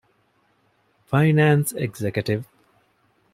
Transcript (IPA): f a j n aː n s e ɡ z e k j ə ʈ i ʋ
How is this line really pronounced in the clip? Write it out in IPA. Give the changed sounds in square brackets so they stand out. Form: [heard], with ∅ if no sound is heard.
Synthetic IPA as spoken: f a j n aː n s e ɡ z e k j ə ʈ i ʋ